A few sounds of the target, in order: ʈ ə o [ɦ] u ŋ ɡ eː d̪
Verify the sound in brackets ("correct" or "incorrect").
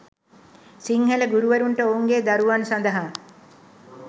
incorrect